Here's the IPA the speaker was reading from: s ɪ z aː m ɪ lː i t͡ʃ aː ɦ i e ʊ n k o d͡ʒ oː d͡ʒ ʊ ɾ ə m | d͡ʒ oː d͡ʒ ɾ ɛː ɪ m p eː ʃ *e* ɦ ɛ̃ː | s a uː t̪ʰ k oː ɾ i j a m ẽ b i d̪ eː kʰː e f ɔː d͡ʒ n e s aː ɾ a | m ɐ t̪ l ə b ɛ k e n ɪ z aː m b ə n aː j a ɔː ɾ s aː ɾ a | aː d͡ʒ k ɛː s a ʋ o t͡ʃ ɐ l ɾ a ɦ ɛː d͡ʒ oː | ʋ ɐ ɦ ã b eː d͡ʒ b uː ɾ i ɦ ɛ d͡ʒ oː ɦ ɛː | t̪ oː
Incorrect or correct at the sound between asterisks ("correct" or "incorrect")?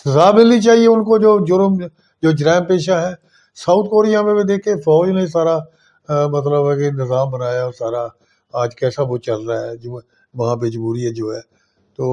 incorrect